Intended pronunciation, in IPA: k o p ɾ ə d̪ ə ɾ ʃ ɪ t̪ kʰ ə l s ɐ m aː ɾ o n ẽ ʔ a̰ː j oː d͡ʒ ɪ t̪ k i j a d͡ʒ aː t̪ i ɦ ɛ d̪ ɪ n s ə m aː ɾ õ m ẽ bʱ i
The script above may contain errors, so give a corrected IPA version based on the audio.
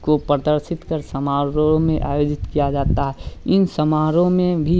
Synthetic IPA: k o p ɾ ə d̪ ə ɾ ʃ ɪ t̪ k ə ɾ s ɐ m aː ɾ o m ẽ ʔ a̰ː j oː d͡ʒ ɪ t̪ k i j a d͡ʒ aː t̪ a ɦ ɛ ɪ n s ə m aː ɾ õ m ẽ bʱ i